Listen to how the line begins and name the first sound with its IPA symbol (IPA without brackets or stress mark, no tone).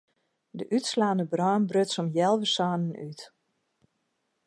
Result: d